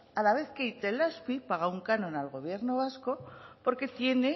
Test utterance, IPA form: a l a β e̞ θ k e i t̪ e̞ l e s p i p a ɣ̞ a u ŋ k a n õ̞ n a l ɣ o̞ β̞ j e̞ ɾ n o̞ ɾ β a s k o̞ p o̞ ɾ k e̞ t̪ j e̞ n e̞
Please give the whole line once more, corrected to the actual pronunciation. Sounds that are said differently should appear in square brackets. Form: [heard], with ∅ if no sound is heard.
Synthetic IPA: a l a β e̞ θ k e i t̪ e̞ l [a] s p i p a ɣ̞ a u ŋ k a n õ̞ n a l ɣ o̞ β̞ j e̞ ɾ n o̞ [∅] β a s k o̞ p o̞ ɾ k e̞ t̪ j e̞ n e̞